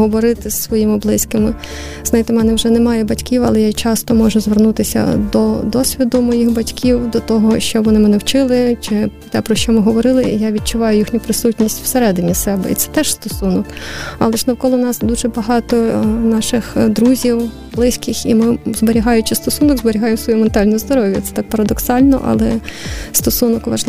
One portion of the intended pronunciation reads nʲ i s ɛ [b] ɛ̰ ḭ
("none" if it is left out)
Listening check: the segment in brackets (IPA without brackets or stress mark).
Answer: b